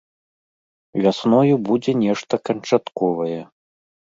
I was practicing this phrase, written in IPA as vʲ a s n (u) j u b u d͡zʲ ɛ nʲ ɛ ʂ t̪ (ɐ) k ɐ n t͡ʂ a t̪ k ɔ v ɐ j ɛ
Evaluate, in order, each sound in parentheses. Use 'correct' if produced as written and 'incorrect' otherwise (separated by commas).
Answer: incorrect, correct